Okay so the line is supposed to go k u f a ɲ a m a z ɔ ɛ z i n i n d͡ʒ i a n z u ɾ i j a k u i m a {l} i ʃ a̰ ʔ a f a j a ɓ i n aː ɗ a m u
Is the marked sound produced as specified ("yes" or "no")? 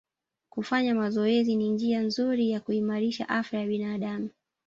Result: no